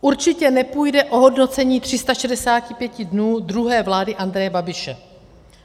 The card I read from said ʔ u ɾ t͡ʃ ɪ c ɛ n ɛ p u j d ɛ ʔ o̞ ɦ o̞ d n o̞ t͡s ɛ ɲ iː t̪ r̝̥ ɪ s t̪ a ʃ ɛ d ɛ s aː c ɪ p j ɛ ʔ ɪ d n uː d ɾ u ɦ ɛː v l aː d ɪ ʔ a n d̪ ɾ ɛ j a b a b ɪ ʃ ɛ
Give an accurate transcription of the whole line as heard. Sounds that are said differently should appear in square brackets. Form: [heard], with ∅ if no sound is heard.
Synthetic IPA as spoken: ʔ u ɾ t͡ʃ ɪ c ɛ n ɛ p u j d ɛ ʔ o̞ ɦ o̞ d n o̞ t͡s ɛ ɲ iː t̪ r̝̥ ɪ s t̪ a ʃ ɛ d ɛ s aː c ɪ p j ɛ [c] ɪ d n uː d ɾ u ɦ ɛː v l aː d ɪ ʔ a n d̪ ɾ ɛ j [ɛ] b a b ɪ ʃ ɛ